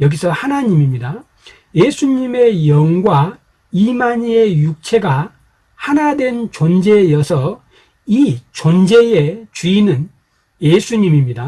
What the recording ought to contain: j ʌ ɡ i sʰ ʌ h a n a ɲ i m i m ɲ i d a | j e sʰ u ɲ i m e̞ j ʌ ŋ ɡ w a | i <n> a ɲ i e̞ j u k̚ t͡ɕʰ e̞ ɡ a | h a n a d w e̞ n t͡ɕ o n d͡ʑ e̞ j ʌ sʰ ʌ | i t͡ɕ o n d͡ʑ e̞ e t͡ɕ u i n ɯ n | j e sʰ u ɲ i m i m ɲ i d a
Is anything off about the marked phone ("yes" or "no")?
yes